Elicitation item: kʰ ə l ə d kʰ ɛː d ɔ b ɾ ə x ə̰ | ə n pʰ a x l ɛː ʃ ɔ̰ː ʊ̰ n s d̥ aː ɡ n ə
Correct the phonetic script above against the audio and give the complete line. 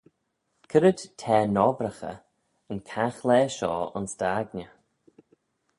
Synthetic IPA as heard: kʰ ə ɾ ə d tʰ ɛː n ɔ b ɾ ə x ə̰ | ə n kʰ a x l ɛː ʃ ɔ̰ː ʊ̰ n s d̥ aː ɡ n ə